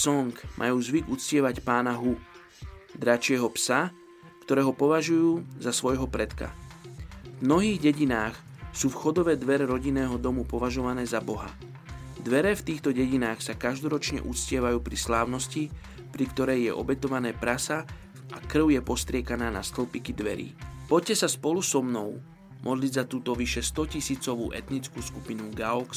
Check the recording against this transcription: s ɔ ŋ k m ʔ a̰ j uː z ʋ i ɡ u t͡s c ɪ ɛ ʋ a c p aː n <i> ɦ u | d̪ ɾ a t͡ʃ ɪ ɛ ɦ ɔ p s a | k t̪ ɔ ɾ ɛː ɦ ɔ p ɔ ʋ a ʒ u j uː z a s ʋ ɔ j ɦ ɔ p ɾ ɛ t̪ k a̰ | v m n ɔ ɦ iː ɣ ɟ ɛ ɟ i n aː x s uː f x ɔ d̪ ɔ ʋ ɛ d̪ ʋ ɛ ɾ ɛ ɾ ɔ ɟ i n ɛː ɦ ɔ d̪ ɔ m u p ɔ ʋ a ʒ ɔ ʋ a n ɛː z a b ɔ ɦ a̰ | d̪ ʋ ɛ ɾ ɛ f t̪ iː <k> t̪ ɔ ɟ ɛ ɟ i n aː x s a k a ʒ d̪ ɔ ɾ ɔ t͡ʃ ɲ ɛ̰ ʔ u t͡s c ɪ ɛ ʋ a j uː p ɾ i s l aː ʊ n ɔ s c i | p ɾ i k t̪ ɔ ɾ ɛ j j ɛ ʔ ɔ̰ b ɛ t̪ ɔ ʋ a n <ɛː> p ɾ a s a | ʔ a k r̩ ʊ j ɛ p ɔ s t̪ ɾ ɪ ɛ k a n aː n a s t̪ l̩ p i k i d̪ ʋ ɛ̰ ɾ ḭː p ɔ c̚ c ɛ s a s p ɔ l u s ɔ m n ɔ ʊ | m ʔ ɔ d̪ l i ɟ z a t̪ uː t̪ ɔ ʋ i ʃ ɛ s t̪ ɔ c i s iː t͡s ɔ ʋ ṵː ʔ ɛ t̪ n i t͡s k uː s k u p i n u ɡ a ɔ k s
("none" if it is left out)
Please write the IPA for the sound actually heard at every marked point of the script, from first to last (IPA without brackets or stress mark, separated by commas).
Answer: a, x, ɛː